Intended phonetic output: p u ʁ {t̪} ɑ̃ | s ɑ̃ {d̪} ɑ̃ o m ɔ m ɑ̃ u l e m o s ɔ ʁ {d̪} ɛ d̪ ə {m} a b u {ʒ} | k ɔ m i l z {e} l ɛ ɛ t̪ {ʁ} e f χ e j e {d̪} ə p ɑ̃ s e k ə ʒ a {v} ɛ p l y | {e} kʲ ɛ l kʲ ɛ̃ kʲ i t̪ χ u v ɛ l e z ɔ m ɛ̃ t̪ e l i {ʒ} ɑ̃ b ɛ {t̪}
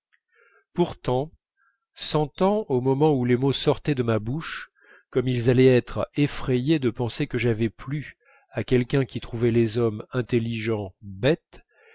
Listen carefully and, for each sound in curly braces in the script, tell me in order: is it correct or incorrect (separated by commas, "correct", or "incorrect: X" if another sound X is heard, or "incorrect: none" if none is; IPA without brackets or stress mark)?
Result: correct, incorrect: t̪, incorrect: t̪, correct, incorrect: ʃ, incorrect: a, incorrect: χ, correct, correct, incorrect: a, correct, correct